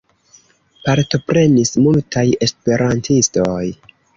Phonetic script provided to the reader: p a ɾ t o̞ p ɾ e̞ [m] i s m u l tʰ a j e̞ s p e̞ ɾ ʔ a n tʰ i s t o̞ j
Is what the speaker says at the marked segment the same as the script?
no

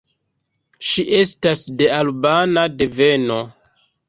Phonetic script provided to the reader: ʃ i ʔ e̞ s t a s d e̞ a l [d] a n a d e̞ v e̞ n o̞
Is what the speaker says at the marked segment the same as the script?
no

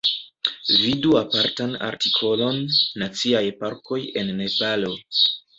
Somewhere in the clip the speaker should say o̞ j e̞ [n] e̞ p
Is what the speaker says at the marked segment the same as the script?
no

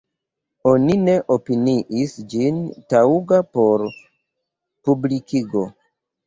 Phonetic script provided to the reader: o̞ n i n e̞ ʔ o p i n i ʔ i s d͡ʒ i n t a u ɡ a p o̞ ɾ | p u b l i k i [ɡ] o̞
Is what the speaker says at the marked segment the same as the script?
yes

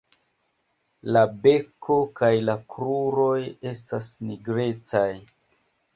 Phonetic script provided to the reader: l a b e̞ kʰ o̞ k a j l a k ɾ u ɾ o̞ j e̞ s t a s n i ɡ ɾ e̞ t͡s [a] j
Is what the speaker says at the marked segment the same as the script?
yes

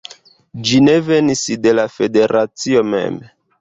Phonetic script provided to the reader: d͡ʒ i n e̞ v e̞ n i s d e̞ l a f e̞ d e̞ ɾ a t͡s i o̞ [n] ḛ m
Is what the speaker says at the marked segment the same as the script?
no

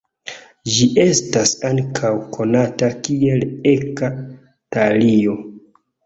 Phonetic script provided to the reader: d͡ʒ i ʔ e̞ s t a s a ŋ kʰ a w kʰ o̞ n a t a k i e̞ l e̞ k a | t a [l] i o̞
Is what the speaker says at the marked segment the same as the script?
yes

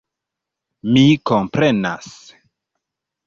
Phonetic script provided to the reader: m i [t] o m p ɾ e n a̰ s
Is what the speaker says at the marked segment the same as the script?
no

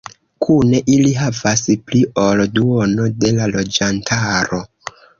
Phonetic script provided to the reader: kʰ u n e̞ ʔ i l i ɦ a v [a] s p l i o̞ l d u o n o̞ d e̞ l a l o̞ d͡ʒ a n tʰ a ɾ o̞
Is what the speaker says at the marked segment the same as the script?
yes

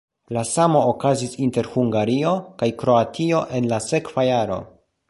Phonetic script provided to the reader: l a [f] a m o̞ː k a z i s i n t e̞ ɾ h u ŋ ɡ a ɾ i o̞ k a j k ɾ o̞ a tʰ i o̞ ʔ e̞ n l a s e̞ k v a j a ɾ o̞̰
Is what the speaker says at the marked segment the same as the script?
no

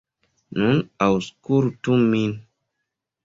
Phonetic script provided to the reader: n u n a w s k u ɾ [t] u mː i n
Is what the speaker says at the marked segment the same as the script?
yes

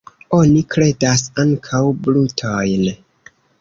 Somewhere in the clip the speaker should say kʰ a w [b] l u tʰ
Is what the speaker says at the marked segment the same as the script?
yes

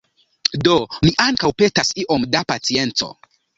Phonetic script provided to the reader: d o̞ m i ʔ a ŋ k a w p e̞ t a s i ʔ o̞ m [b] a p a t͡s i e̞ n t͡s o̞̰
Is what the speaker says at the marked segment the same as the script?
no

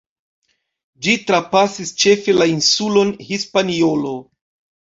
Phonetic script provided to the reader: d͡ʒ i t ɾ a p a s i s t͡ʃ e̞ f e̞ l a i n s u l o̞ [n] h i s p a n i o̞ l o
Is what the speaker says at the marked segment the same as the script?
yes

